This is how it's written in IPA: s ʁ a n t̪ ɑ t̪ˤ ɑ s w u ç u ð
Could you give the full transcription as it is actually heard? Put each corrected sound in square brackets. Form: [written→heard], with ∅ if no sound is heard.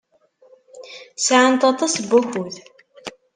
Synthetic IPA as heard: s [ʁ→ʕ] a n t̪ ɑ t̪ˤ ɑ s [w→b] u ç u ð